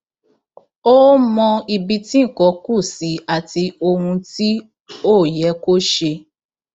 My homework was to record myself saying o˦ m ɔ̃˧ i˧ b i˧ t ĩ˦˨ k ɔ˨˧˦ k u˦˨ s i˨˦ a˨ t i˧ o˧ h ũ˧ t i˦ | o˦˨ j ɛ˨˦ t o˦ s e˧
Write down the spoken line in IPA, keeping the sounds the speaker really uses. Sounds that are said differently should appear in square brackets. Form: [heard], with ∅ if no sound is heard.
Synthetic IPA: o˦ m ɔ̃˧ i˧ b i˧ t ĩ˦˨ k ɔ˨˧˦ k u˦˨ s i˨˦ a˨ t i˧ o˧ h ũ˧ t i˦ | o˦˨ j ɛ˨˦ [k] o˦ [ʃ] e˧

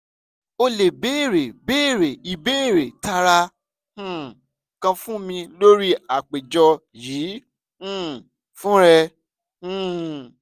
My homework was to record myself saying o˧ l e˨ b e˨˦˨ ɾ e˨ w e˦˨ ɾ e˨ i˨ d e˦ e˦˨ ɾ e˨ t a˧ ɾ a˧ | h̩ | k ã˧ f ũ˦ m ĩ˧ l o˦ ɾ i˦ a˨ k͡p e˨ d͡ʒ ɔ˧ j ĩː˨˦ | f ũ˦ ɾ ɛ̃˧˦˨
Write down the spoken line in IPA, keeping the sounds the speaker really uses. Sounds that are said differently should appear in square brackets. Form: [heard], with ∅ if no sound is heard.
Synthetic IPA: o˧ l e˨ b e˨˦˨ ɾ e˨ [b] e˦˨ ɾ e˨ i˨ [b] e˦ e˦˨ ɾ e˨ t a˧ ɾ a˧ | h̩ | k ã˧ f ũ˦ m ĩ˧ l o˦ ɾ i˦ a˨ k͡p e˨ d͡ʒ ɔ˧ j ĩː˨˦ | f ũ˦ ɾ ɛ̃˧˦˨

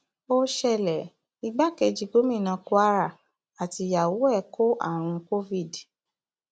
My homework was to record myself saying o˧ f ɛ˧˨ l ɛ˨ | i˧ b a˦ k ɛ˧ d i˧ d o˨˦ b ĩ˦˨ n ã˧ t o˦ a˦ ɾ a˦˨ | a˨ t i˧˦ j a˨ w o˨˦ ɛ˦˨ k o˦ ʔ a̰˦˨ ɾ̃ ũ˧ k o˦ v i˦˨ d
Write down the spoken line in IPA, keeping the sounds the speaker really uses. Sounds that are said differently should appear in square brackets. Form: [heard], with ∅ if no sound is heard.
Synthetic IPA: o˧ [ʃ] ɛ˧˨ l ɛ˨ | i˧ [ɡ͡b] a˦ k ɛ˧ [d͡ʒ] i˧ [ɡ] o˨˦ [m] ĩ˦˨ n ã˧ [k] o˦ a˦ ɾ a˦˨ | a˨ t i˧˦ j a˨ w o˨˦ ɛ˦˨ k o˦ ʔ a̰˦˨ ɾ̃ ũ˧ k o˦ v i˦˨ d

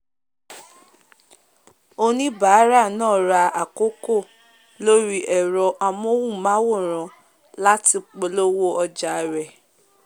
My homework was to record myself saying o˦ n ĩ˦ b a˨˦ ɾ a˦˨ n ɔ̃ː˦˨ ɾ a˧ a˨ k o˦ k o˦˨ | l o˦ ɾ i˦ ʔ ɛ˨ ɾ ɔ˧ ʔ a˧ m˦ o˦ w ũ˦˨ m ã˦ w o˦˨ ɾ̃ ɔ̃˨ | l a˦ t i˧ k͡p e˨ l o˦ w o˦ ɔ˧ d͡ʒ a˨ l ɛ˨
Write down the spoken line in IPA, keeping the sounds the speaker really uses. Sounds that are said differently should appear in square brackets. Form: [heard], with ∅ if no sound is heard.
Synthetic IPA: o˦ n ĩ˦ b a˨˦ ɾ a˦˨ n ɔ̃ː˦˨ ɾ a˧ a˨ k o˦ k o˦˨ | l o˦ ɾ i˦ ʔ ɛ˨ ɾ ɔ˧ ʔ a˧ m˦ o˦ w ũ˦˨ m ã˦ w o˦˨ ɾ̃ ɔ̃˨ | l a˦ t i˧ k͡p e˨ l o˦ w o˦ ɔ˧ d͡ʒ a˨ [ɾ] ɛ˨

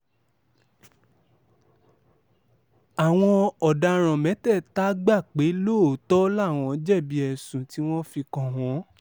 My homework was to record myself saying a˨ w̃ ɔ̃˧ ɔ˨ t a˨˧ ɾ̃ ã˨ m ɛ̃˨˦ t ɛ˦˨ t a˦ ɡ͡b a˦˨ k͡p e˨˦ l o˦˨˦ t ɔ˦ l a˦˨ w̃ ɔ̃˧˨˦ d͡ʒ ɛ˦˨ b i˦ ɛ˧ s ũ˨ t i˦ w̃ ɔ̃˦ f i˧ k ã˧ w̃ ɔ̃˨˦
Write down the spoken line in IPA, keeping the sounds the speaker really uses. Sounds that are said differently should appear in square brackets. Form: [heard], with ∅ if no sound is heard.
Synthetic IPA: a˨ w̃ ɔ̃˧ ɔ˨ [d] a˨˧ ɾ̃ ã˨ m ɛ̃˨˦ t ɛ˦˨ t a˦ ɡ͡b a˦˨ k͡p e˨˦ l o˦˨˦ t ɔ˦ l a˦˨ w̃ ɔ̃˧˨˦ d͡ʒ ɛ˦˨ b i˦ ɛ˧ s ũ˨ t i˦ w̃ ɔ̃˦ f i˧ k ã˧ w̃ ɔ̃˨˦

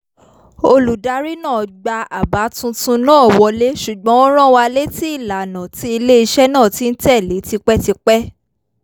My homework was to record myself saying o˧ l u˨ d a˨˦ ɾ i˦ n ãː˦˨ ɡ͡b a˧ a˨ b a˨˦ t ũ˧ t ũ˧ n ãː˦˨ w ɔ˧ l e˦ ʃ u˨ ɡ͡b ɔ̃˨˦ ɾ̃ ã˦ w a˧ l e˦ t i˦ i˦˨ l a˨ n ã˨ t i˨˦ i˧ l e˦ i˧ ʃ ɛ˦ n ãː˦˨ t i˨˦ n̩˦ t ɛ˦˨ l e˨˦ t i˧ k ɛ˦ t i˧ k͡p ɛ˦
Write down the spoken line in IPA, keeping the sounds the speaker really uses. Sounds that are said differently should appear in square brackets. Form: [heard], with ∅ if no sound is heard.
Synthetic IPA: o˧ l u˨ d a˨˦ ɾ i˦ n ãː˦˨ ɡ͡b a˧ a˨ b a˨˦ t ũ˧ t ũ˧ n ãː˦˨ w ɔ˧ l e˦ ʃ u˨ ɡ͡b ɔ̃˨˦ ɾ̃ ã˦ w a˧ l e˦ t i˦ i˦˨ l a˨ n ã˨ t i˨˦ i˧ l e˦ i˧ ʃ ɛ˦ n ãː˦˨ t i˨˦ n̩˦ t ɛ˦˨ l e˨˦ t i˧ [k͡p] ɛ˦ t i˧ k͡p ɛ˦

